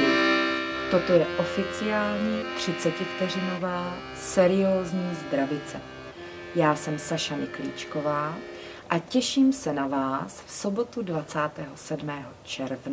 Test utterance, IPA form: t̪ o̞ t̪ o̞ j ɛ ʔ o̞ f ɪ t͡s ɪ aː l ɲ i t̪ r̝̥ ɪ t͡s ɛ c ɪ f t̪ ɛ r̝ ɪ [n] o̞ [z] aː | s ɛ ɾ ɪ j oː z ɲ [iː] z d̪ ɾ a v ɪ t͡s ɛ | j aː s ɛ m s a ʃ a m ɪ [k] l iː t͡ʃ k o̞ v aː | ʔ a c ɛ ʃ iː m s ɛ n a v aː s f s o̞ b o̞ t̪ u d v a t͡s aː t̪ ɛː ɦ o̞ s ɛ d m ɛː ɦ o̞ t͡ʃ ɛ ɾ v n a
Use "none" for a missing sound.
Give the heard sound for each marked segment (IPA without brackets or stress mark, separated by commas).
n, v, iː, k